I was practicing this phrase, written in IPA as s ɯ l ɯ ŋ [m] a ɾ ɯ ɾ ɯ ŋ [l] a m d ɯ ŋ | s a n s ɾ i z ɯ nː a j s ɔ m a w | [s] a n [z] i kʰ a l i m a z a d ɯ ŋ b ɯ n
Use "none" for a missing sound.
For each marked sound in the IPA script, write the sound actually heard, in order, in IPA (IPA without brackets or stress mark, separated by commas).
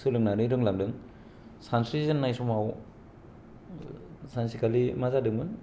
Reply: n, l, s, s